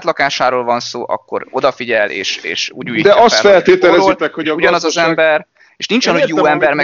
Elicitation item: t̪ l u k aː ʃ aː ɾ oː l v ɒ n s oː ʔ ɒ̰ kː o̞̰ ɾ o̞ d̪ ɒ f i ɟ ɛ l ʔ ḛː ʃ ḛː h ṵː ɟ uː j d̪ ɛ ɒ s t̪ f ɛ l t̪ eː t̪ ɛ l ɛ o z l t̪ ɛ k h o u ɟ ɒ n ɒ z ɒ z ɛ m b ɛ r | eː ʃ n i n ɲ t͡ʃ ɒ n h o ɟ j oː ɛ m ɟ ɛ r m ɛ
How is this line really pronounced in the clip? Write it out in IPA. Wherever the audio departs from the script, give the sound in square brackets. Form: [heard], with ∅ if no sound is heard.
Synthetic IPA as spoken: t̪ l [ɒ] k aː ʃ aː ɾ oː l v ɒ n s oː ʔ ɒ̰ kː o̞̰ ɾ o̞ d̪ ɒ f i ɟ ɛ l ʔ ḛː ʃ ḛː [ʃ] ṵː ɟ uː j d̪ ɛ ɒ s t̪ f ɛ l t̪ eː t̪ ɛ l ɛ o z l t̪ ɛ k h o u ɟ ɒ n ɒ z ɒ z ɛ m b ɛ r | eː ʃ n i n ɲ t͡ʃ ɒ n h o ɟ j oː ɛ m [b] ɛ r m ɛ